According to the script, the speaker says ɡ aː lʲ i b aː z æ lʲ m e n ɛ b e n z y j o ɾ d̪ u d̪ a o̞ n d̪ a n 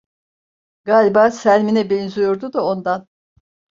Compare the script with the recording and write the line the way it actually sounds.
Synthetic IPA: ɡ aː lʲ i b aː s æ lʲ m i n ɛ b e n z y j o ɾ d̪ u d̪ a o̞ n d̪ a n